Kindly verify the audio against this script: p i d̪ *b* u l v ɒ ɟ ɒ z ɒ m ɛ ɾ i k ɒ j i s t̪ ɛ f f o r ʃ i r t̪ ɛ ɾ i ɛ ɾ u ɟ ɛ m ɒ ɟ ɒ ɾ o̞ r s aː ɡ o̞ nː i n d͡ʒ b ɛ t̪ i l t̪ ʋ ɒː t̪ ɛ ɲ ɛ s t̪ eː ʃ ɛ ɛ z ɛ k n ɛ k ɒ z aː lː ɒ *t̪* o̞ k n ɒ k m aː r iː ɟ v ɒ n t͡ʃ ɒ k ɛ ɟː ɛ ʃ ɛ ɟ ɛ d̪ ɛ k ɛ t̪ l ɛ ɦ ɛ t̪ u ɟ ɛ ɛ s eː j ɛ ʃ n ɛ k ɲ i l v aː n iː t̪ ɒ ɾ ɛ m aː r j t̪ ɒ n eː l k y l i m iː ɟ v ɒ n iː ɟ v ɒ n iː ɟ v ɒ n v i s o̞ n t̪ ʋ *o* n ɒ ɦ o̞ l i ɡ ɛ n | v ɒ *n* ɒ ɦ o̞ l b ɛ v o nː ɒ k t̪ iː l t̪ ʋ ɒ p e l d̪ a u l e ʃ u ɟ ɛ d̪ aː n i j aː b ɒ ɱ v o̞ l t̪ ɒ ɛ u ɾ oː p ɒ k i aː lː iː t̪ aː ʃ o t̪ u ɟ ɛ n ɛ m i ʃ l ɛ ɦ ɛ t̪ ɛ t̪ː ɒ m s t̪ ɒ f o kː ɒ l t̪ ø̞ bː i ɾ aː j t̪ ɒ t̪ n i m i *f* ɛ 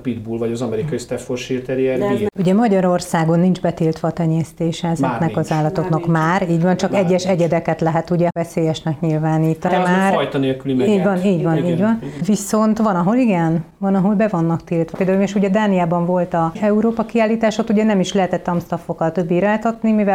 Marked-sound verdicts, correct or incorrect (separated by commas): correct, correct, incorrect, correct, incorrect